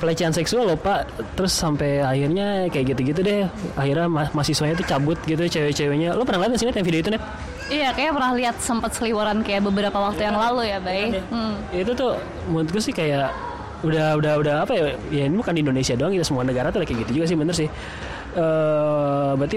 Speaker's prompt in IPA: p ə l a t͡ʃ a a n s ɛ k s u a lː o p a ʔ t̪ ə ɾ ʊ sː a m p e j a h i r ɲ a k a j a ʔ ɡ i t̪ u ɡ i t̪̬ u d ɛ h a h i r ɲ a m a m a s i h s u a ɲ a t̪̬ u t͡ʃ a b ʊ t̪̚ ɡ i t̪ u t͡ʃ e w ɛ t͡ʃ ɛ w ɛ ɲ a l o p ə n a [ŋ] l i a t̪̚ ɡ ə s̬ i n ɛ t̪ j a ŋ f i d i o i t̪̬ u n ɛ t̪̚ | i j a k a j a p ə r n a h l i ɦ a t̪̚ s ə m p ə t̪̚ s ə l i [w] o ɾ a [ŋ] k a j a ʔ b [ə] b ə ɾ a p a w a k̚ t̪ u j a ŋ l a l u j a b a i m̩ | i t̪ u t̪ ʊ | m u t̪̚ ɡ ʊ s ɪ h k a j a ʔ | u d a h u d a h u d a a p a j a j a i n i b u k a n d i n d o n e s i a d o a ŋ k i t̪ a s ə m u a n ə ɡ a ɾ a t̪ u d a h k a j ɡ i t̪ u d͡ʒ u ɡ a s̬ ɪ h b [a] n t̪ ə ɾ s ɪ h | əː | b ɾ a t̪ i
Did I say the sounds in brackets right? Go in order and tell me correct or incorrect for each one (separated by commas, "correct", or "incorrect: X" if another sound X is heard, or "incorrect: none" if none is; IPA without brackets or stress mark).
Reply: correct, correct, incorrect: n, correct, incorrect: ə